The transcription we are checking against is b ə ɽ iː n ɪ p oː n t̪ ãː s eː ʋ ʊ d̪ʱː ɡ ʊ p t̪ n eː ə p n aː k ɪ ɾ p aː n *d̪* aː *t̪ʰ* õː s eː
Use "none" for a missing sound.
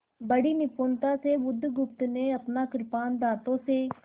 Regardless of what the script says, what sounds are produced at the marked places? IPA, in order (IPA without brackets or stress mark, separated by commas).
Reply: d̪, t̪